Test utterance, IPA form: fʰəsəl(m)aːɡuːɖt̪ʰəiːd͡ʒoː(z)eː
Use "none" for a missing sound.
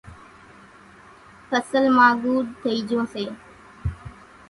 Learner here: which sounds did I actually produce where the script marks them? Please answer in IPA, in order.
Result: m, s

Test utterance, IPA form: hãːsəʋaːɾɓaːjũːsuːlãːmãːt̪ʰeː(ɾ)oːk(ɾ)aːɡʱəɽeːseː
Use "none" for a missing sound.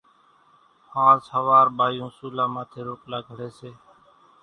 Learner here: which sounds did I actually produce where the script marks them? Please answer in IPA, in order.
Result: ɾ, l

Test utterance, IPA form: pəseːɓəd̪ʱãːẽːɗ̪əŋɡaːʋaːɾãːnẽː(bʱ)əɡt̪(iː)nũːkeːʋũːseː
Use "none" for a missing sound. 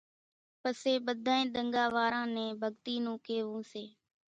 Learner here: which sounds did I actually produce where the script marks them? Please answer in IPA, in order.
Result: bʱ, iː

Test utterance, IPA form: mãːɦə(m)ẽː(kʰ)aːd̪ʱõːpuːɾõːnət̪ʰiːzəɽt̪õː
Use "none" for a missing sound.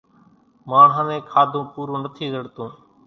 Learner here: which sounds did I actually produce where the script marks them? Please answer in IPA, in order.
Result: n, kʰ

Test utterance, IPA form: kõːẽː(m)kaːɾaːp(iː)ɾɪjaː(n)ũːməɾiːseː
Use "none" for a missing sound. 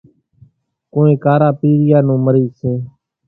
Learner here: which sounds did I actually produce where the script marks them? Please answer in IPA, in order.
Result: none, iː, n

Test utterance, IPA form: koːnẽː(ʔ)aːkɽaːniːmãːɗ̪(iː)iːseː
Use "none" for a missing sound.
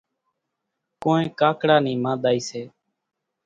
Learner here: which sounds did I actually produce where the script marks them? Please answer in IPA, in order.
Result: k, aː

